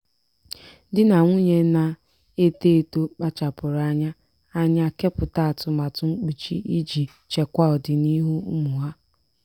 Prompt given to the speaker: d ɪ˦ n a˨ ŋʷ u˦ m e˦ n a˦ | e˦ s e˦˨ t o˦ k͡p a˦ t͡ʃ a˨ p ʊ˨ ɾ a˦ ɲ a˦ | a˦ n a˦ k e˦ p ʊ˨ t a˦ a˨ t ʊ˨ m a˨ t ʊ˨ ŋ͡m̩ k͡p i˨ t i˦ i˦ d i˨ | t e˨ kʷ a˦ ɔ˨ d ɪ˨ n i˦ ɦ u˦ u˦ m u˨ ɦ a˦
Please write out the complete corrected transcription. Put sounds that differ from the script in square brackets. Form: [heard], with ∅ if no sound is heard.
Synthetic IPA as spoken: d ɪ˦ n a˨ ŋʷ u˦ [ɲ] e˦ n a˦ | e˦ [t] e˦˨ t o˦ k͡p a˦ t͡ʃ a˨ p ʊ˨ ɾ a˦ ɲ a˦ | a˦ [ɲ] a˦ k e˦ p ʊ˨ t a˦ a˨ t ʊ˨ m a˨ t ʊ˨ ŋ͡m̩ k͡p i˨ [t͡ʃ] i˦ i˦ [d͡ʒ] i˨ | [t͡ʃ] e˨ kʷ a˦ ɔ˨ d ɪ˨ n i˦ ɦ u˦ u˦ m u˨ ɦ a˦